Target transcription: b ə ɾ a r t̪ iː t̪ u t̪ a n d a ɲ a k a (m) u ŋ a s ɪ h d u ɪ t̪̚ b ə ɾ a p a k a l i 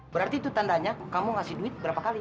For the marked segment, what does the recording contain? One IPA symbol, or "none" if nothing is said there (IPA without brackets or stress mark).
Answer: m